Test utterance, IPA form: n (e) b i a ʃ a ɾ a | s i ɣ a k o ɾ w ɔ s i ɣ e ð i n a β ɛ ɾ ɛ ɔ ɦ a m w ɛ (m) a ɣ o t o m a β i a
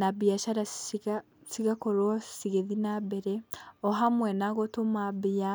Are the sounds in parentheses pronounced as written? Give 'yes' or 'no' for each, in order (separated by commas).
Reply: no, no